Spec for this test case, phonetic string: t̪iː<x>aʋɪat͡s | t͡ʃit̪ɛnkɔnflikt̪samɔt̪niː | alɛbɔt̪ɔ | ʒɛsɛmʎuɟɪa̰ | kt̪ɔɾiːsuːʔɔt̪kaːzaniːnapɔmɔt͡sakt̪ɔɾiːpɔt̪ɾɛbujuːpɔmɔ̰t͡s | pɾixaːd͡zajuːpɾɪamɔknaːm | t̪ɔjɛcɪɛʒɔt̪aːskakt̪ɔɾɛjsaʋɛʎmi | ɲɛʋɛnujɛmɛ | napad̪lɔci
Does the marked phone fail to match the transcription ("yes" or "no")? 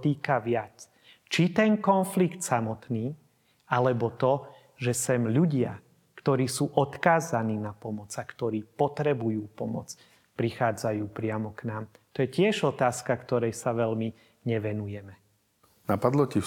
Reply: yes